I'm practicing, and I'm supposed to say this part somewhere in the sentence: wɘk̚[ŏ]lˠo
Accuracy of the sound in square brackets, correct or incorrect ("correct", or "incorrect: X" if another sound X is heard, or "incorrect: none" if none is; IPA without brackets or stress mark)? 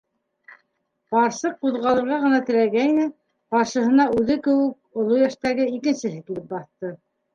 correct